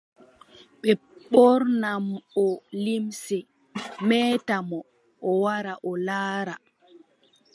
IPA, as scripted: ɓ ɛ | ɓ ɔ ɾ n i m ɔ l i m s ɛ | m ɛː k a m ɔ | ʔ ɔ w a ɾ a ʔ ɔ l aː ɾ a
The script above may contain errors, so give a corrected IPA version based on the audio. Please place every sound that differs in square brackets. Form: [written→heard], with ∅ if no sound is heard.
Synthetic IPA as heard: ɓ ɛ | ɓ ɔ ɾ n [i→a] m ɔ l i m s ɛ | m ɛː [k→t] a m ɔ | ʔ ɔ w a ɾ a ʔ ɔ l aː ɾ a

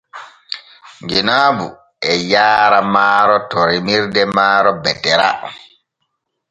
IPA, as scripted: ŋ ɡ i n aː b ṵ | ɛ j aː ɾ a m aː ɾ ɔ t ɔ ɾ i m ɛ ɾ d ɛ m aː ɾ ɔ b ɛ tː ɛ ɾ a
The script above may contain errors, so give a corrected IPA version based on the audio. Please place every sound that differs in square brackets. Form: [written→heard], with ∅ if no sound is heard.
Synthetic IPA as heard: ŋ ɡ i n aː b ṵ | ɛ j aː ɾ a m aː ɾ ɔ t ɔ ɾ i m [ɛ→i] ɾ d ɛ m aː ɾ ɔ b ɛ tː ɛ ɾ a

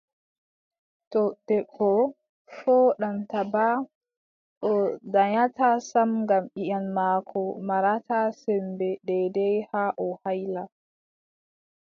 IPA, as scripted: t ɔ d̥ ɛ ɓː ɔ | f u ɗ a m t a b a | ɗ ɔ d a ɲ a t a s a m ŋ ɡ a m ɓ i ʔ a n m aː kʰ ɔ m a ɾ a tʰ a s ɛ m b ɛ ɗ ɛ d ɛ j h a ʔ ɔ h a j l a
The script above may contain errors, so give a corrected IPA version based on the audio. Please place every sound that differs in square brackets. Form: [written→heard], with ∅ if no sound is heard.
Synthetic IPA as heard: t ɔ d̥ ɛ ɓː ɔ | f [u→ɔ] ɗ a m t a b a | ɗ ɔ d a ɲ a t a s a m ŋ ɡ a m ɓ i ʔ a n m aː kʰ ɔ m a ɾ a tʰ a s ɛ m b ɛ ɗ ɛ d ɛ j h a ʔ ɔ h a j l a

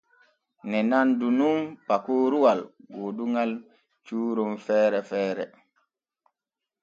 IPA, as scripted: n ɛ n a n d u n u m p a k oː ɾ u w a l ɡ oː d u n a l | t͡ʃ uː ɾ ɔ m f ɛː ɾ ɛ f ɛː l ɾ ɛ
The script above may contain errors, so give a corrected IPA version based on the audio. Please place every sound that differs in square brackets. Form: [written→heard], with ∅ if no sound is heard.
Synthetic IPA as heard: n ɛ n a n d u n u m p a k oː ɾ u w a l ɡ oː d u [n→ŋ] a l | t͡ʃ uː ɾ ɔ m f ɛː ɾ ɛ f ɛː [l→∅] ɾ ɛ

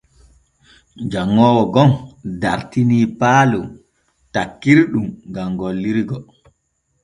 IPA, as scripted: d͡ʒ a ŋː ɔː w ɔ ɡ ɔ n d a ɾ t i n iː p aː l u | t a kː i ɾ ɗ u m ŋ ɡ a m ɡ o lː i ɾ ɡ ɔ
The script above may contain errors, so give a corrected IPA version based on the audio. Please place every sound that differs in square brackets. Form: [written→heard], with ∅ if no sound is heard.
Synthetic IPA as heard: d͡ʒ a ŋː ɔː w ɔ ɡ ɔ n d a ɾ t i n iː p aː l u | t a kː i ɾ ɗ u m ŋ ɡ a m ɡ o lː i ɾ ɡ ɔ

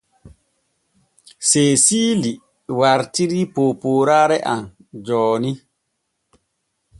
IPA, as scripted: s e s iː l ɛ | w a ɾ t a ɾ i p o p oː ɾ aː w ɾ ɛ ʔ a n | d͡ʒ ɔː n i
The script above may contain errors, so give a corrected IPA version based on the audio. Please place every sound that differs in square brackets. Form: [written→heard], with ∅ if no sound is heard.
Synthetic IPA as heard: s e s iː l [ɛ→i] | w a ɾ t [a→i] ɾ i p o p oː ɾ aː [w→∅] ɾ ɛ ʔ a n | d͡ʒ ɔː n i

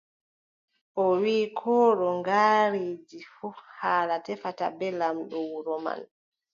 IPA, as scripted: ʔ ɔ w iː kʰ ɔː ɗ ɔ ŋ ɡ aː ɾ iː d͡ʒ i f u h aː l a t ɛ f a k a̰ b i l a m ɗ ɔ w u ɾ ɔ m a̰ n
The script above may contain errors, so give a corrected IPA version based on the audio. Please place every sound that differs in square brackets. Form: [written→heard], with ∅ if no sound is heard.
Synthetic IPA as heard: ʔ ɔ w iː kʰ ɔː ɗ ɔ ŋ ɡ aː ɾ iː d͡ʒ i f u h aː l a t ɛ f a [k→t] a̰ b [i→ɛ] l a m ɗ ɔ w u ɾ ɔ m a̰ n

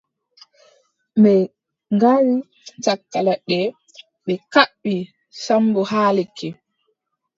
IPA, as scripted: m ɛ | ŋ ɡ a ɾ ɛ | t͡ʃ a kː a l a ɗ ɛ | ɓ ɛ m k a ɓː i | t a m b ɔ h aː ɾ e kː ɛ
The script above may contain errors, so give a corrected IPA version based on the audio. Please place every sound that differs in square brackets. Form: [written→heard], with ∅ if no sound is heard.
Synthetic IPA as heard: m ɛ | ŋ ɡ a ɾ [ɛ→i] | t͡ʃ a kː a l a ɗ ɛ | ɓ ɛ [m→∅] k a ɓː i | [t→s] a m b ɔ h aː [ɾ→l] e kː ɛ

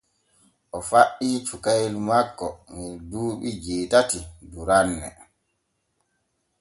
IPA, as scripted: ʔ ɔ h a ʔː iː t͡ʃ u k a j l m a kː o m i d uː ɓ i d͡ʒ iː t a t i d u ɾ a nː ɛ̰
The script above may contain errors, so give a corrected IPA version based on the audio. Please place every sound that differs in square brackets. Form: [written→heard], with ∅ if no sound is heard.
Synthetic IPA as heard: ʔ ɔ [h→f] a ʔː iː t͡ʃ u k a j l m a kː [o→ɔ] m i d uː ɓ i d͡ʒ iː t a t i d u ɾ a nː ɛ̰

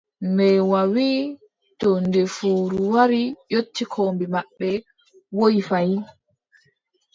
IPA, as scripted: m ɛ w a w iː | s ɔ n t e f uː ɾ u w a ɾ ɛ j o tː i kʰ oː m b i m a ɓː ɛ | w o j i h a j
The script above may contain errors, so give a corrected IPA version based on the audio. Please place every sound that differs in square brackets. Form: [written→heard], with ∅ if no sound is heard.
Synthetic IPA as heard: m ɛ w a w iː | [s→t] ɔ n [t→d] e f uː ɾ u w a ɾ [ɛ→i] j o tː i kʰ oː m b i m a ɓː ɛ | w o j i [h→f] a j

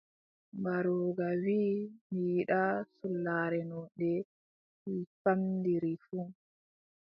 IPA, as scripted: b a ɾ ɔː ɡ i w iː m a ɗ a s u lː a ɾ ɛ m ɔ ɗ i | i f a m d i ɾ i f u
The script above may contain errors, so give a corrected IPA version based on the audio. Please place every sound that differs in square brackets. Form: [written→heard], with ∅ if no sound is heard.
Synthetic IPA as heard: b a ɾ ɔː ɡ [i→a] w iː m [a→i] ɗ a s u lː a ɾ ɛ [m→n] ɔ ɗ [i→ɛ] | i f a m d i ɾ i f u

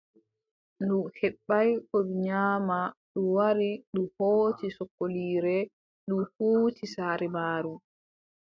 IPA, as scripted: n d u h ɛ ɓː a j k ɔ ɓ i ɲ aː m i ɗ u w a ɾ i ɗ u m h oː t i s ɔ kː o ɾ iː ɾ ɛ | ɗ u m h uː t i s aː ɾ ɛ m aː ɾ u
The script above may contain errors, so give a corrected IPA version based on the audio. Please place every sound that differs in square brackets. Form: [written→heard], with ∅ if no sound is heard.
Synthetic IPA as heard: n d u h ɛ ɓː a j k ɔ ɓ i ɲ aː m [i→a] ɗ u w a ɾ i ɗ u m h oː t i s ɔ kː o [ɾ→l] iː ɾ ɛ | ɗ u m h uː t i s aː ɾ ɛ m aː ɾ u

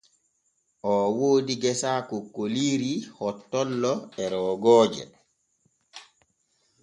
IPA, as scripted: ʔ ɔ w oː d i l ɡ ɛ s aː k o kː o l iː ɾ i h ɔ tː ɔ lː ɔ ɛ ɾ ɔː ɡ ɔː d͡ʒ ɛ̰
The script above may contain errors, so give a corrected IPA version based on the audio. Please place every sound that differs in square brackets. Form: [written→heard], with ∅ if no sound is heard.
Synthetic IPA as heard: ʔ ɔ w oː d i [l→∅] ɡ ɛ s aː k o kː o l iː ɾ i h ɔ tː ɔ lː ɔ ɛ ɾ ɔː ɡ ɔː d͡ʒ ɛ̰

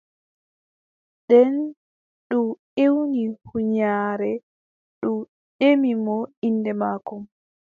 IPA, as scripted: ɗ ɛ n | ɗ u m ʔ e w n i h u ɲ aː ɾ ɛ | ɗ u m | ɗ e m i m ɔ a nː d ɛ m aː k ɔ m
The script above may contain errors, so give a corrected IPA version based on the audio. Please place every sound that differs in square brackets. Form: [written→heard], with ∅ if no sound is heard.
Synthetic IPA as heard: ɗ ɛ n | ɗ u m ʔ e w n i h u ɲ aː ɾ ɛ | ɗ u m | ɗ e m i m ɔ [a→i] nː d ɛ m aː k ɔ m

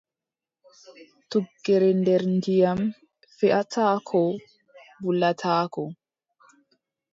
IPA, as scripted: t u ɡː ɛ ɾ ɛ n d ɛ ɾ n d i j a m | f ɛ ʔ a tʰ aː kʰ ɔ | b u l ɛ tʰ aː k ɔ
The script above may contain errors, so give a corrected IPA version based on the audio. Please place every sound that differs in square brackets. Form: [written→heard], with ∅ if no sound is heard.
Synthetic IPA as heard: t u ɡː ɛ ɾ ɛ n d ɛ ɾ n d i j a m | f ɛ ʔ a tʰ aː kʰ ɔ | b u l [ɛ→a] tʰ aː k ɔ

